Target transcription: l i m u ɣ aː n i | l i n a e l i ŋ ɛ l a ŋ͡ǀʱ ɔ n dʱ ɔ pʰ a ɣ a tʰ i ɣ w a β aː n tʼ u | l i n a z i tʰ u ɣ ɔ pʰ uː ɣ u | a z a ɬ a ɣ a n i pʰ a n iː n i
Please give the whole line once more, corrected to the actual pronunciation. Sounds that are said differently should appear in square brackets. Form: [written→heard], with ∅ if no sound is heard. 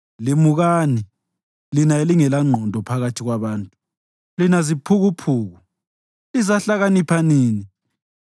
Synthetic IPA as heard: l i m u ɣ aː n i | l i n a e l i ŋ ɛ l a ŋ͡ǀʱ ɔ n dʱ ɔ pʰ a ɣ a tʰ i ɣ w a β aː n tʼ u | l i n a z i [tʰ→pʰ] u ɣ [ɔ→u] pʰ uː ɣ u | [a→i] z a ɬ a ɣ a n i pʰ a n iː n i